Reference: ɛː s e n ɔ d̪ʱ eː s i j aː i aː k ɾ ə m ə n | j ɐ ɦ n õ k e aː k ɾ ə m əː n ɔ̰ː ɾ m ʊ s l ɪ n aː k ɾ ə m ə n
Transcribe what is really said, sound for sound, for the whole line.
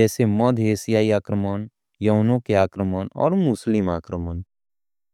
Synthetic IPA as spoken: ɛː s e m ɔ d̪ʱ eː s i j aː i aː k ɾ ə m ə n | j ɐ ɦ n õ k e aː k ɾ ə m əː n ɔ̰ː ɾ m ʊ s l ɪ m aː k ɾ ə m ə n